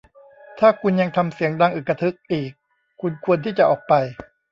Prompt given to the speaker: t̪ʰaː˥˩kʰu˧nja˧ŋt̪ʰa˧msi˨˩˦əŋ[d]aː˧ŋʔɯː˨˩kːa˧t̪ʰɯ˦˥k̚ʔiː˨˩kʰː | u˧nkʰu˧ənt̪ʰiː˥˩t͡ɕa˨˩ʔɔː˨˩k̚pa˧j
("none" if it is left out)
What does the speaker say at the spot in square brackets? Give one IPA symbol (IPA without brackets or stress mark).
d